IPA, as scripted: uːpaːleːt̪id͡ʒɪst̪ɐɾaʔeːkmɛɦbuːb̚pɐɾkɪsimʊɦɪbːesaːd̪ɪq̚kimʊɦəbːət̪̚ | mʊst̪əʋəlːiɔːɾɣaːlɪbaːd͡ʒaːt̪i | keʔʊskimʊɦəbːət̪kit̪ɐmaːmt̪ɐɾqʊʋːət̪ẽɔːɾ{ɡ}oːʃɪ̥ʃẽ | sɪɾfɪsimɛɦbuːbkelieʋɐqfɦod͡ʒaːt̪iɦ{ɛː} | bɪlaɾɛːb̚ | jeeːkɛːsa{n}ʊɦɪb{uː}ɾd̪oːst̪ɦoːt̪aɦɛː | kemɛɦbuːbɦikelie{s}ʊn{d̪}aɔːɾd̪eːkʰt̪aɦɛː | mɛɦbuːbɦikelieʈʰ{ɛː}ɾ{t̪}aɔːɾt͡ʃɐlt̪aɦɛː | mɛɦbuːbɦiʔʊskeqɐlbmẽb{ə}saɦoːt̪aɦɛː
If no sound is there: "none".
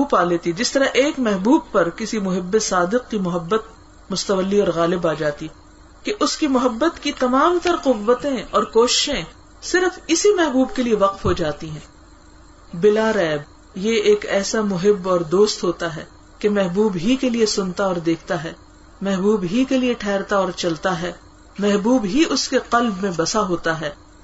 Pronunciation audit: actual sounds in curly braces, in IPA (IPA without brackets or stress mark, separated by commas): k, ɛ̃ː, m, ɔː, s, t̪, ɛː, t̪, ɐ